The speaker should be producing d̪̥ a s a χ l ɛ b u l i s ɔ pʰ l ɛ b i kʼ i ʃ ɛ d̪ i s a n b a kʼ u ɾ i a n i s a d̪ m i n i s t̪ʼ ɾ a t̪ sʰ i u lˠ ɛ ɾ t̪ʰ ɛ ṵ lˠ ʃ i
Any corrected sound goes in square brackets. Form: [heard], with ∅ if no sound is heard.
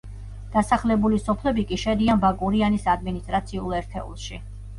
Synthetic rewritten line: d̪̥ a s a χ l ɛ b u l i s ɔ pʰ l ɛ b i kʼ i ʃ ɛ d̪ i [∅] a n b a kʼ u ɾ i a n i s a d̪ m i n i s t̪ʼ ɾ a t̪ sʰ i u lˠ ɛ ɾ t̪ʰ ɛ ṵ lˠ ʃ i